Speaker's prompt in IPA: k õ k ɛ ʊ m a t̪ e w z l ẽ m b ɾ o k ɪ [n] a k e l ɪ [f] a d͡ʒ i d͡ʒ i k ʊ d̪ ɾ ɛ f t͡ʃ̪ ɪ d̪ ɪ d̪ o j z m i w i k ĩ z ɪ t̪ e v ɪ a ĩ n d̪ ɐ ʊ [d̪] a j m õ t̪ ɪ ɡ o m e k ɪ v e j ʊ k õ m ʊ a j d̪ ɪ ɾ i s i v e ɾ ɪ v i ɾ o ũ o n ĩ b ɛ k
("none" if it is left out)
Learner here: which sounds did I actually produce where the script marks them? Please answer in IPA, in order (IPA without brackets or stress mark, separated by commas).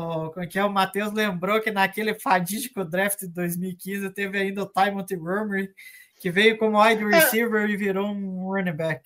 n, f, t̪